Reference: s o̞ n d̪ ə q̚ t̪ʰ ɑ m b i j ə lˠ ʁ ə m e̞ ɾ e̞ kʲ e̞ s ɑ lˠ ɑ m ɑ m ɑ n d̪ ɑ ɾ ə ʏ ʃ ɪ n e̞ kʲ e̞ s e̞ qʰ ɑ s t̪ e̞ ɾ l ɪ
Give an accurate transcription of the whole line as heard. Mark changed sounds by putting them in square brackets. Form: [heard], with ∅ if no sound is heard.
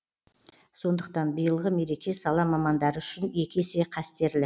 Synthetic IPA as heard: s o̞ n d̪ ə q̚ [t̪] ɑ [n] b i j ə lˠ ʁ ə m e̞ ɾ e̞ kʲ e̞ s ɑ lˠ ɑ m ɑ m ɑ n d̪ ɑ ɾ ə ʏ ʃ ɪ n e̞ kʲ e̞ s e̞ qʰ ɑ s t̪ e̞ ɾ l ɪ